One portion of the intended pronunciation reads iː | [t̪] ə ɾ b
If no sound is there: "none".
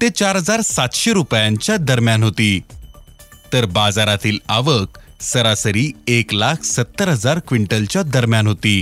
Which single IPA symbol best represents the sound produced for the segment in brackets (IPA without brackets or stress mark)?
t̪